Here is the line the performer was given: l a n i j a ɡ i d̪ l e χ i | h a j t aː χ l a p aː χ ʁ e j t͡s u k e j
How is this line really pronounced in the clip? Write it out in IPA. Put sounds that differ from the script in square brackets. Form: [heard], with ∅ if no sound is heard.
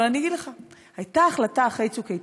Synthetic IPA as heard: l a n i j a ɡ i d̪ l e χ [a] | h a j t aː χ l a [t] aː χ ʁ e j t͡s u k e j